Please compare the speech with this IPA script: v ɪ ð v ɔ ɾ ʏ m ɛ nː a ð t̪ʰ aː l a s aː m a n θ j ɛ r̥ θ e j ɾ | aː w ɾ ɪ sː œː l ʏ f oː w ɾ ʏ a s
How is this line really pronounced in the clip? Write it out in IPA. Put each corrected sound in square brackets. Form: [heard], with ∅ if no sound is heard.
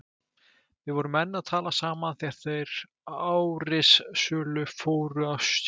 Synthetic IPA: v ɪ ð v ɔ ɾ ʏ m ɛ nː a ð t̪ʰ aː l a s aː m a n θ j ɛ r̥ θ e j ɾ | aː w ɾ ɪ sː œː l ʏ f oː w ɾ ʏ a s